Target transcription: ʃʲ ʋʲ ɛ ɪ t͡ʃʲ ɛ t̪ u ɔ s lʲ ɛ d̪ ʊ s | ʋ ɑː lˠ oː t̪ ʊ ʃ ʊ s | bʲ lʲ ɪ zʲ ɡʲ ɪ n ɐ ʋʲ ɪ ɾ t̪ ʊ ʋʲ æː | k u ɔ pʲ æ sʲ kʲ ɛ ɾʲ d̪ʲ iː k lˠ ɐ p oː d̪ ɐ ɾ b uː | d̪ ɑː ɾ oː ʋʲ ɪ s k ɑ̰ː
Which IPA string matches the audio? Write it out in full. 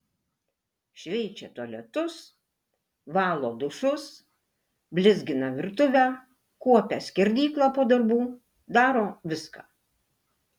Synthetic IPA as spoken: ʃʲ ʋʲ ɛ ɪ t͡ʃʲ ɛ t̪ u ɔ lʲ ɛ t̪ ʊ s | ʋ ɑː lˠ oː d̪ ʊ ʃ ʊ s | bʲ lʲ ɪ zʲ ɡʲ ɪ n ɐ ʋʲ ɪ ɾ t̪ ʊ ʋʲ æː | k u ɔ pʲ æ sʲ kʲ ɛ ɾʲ d̪ʲ iː k lˠ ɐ p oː d̪ ɐ ɾ b uː | d̪ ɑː ɾ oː ʋʲ ɪ s k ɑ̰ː